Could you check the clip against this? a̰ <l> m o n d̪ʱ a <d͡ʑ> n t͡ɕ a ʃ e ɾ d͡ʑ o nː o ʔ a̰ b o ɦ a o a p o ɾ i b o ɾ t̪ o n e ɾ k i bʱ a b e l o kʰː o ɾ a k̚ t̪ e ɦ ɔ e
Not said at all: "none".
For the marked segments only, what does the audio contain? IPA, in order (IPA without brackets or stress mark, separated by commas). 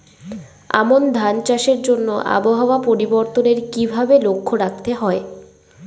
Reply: none, none